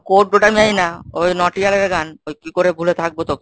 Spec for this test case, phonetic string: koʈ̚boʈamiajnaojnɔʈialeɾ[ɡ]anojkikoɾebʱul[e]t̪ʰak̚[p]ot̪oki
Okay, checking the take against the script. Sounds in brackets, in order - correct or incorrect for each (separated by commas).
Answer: correct, correct, incorrect